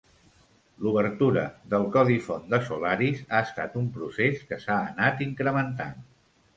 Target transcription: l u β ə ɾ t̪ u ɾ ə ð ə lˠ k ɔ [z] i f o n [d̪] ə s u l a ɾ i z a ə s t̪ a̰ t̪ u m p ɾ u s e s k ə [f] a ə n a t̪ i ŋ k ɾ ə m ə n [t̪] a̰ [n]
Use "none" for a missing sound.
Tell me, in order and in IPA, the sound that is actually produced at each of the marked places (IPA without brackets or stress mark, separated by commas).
ð, d̪, s, t̪, n